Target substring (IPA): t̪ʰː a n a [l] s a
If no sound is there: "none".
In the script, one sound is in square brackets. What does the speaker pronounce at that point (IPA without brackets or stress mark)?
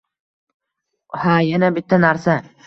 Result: ɾ